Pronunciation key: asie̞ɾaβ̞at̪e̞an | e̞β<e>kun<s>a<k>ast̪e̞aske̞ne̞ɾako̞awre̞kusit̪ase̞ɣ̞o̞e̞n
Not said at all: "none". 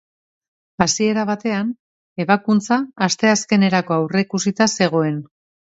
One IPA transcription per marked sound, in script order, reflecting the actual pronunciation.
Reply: a, t͡s, none

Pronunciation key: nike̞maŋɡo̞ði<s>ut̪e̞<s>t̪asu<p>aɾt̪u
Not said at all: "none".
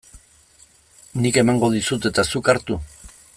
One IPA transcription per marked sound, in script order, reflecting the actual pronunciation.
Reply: s, none, k

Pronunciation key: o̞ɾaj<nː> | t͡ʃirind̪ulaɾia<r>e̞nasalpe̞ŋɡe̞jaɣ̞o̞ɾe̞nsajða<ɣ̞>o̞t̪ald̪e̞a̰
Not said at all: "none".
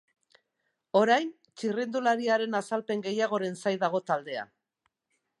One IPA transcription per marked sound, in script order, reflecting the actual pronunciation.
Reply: n, ɾ, ɣ̞

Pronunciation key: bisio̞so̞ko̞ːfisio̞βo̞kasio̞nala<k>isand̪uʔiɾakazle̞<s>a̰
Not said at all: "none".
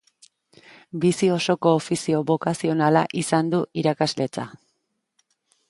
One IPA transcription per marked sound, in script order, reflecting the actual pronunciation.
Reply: ʔ, t͡s

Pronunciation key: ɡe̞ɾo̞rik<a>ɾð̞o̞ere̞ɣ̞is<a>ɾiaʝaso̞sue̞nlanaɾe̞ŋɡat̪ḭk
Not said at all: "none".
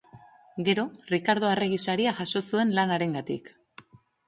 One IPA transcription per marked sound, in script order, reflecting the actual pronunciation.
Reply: a, a

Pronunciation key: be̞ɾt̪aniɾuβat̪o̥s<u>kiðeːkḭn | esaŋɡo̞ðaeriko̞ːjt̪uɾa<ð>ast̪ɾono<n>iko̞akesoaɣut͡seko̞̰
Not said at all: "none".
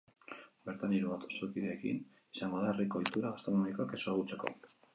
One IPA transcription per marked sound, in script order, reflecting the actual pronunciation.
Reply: o, ɣ, m

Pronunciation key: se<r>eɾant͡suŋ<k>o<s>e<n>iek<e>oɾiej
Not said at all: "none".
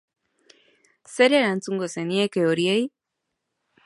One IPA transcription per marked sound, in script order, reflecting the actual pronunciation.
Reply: ɾ, ɡ, s, n, e

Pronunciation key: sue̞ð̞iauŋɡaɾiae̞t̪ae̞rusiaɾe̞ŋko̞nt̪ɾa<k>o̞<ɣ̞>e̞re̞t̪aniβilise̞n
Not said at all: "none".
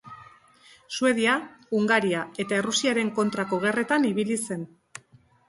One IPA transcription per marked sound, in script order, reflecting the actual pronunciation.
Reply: k, ɣ̞

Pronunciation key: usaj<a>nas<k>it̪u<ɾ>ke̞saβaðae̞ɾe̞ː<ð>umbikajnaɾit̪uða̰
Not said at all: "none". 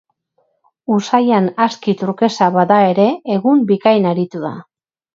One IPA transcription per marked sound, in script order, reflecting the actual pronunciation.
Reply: a, k, ɾ, ɣ

